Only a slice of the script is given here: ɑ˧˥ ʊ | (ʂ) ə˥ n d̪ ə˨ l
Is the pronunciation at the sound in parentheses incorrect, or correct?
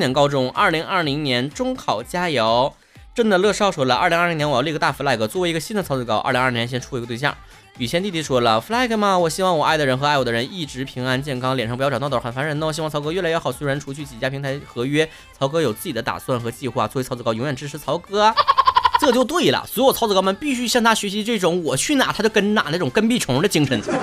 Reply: incorrect